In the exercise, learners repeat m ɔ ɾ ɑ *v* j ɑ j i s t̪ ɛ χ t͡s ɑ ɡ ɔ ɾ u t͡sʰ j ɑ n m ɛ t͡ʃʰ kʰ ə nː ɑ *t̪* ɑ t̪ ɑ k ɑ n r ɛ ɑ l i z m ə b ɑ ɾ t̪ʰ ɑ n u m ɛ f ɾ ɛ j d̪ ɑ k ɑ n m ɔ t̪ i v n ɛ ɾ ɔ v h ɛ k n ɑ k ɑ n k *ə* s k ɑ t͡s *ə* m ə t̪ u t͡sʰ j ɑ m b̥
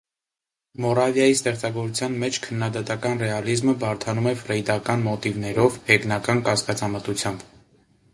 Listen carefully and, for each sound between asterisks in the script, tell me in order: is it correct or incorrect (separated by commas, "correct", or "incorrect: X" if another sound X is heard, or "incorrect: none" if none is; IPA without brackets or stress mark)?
correct, incorrect: d̪, incorrect: ɑ, incorrect: ɑ